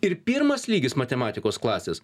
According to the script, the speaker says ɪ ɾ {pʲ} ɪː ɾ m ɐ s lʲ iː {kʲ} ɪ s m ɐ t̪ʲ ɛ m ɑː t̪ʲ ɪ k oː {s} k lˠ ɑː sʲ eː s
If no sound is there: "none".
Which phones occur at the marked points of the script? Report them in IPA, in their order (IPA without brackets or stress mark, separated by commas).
pʲ, ɡʲ, s